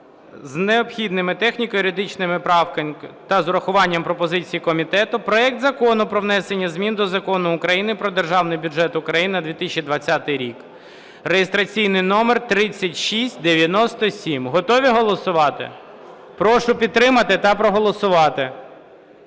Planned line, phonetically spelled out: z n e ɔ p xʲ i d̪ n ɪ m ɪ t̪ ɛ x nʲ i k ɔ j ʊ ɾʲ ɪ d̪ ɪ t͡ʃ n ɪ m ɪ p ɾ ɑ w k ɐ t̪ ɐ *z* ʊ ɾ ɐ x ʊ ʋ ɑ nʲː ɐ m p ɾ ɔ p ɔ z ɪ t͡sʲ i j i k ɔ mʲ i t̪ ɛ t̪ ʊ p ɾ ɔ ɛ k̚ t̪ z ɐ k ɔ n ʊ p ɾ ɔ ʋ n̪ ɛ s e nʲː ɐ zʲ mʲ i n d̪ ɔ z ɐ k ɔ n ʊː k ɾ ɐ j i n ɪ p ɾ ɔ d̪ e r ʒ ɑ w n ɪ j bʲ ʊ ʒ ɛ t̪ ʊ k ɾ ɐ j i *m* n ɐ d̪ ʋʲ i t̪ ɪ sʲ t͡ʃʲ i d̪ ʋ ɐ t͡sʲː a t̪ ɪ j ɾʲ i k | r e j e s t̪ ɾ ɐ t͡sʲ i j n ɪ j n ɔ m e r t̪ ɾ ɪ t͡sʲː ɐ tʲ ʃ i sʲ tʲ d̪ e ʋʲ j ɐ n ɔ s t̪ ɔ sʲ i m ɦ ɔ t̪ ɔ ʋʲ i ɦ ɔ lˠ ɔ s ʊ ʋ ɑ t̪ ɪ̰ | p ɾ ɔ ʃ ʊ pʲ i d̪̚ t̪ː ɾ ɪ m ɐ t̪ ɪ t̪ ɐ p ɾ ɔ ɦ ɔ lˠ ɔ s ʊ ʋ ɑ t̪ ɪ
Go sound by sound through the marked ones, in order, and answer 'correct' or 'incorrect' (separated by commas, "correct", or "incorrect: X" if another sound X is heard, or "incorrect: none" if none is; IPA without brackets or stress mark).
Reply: correct, incorrect: n